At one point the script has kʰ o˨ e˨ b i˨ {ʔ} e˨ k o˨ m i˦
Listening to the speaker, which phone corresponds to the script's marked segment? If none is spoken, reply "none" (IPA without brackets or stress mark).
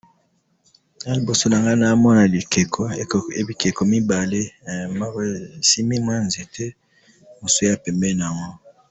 k